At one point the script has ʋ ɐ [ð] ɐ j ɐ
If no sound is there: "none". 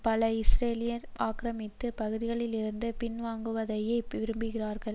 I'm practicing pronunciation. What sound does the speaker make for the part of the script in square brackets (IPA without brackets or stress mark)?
ð